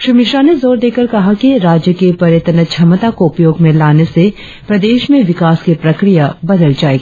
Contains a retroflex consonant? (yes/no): no